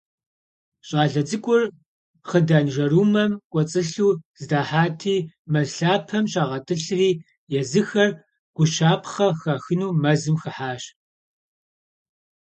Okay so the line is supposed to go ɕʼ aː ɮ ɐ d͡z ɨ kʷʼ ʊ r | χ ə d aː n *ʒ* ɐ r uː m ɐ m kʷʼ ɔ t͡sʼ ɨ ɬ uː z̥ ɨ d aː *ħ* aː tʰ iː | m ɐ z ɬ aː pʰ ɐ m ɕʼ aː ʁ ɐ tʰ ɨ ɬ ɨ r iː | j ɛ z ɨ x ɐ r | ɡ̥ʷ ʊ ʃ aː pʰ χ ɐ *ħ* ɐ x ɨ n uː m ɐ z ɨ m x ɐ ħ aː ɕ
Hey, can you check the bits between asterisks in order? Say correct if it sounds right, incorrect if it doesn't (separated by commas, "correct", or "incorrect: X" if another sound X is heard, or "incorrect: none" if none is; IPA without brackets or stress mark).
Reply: correct, correct, incorrect: x